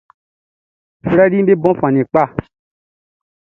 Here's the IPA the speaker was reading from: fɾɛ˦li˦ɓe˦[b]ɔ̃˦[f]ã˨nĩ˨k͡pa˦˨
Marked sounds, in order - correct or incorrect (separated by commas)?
correct, correct